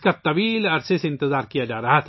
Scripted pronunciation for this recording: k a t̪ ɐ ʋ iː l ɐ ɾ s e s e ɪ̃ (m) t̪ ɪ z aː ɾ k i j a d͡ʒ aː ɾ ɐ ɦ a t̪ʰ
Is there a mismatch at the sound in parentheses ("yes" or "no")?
yes